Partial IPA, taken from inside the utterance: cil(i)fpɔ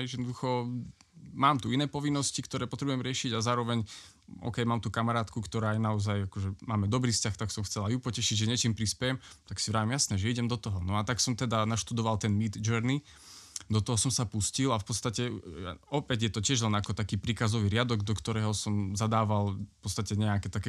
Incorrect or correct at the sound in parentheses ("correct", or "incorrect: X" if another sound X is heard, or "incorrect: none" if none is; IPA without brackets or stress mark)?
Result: incorrect: a